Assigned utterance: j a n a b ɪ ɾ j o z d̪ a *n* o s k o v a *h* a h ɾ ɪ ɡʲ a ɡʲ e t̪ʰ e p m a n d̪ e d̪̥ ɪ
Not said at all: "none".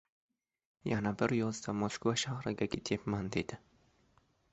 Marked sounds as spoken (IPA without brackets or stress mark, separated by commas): m, ʃ